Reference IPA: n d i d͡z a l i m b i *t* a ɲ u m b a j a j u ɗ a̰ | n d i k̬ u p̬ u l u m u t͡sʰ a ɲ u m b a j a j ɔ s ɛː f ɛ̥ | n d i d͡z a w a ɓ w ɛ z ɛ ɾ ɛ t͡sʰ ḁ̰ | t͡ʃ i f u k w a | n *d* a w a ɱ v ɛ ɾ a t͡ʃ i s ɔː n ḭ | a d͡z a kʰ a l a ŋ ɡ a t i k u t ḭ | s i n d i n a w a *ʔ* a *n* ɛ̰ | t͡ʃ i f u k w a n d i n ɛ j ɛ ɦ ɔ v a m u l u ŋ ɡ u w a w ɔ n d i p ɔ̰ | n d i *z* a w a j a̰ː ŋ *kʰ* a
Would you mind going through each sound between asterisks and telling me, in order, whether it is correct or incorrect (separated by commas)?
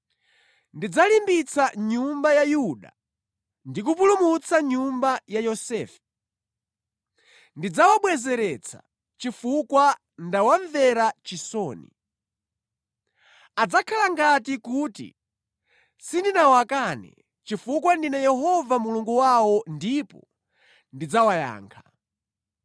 incorrect, correct, incorrect, correct, incorrect, correct